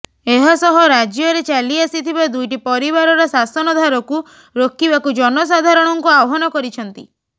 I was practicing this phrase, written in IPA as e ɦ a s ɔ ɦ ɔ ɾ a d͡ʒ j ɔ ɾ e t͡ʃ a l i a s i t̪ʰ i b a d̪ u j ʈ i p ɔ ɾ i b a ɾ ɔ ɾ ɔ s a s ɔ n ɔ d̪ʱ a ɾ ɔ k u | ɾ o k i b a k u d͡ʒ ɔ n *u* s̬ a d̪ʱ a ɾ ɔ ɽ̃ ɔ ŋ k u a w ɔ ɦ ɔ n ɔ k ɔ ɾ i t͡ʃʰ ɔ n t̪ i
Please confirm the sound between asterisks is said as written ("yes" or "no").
no